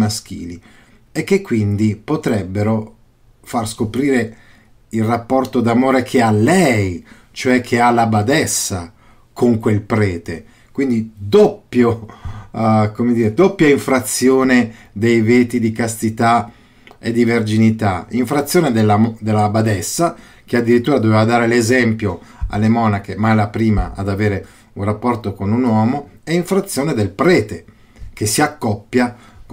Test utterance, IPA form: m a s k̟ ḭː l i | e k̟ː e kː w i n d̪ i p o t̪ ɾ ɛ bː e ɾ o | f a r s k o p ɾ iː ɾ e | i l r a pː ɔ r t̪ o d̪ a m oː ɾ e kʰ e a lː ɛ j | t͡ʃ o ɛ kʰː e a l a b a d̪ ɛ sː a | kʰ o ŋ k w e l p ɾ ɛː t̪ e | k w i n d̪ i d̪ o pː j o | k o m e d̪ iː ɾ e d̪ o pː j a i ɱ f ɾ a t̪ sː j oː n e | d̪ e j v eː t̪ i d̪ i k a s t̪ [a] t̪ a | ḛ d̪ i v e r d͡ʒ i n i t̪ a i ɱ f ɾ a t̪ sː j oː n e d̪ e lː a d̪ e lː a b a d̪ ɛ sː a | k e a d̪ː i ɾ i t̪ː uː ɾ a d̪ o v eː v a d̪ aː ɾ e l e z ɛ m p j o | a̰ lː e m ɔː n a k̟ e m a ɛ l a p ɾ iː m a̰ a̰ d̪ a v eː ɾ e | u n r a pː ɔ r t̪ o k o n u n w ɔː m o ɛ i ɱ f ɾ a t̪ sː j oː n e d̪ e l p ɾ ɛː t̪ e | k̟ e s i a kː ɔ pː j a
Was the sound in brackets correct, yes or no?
no